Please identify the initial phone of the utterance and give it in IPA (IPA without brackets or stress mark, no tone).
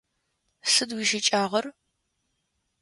s